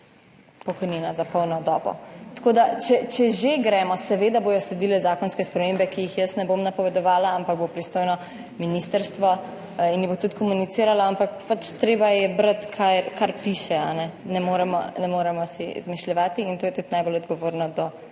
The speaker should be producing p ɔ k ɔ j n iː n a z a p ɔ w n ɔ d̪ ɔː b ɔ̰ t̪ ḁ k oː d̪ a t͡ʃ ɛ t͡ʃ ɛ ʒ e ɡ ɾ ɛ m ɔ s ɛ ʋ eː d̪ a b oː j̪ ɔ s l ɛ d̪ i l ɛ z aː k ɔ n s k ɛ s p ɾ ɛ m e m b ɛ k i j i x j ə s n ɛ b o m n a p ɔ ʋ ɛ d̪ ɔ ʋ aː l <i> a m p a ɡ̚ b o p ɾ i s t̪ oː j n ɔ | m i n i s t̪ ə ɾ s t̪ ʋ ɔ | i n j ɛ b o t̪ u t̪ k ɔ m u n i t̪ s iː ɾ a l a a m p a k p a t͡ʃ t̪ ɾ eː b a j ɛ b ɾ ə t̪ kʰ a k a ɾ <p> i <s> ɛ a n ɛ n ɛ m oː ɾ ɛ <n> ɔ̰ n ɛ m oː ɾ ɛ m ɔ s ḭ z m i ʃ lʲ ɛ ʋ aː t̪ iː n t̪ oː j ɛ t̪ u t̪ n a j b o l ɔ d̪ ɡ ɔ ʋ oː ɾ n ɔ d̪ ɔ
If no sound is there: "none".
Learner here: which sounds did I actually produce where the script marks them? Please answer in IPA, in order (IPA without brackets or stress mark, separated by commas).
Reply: a, p, ʃ, m